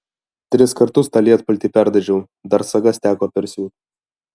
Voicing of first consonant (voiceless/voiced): voiceless